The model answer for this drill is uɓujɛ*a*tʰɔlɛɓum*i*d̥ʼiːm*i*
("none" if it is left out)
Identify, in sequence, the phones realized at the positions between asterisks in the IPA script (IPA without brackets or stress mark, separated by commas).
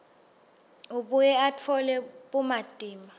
a, a, a